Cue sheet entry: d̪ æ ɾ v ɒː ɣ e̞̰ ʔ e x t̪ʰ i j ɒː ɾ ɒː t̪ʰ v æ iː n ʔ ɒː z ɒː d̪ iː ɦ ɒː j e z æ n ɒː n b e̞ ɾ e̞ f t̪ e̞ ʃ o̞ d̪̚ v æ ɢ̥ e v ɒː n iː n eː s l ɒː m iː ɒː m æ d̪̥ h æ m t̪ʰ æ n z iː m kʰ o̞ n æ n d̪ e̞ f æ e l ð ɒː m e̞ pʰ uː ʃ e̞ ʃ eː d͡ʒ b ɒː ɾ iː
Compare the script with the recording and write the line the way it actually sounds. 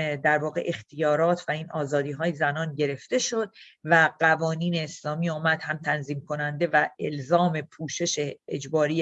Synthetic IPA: d̪ æ ɾ v ɒː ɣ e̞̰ ʔ e x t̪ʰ i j ɒː ɾ ɒː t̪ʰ v æ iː n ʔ ɒː z ɒː d̪ iː ɦ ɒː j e z æ n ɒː n ɟ e̞ ɾ e̞ f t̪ e̞ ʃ o̞ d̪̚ v æ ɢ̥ æ v ɒː n iː n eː s l ɒː m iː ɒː m æ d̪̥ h æ m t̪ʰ æ n z iː m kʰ o̞ n æ n d̪ e̞ v æ e l z ɒː m e̞ pʰ uː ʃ e̞ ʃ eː d͡ʒ b ɒː ɾ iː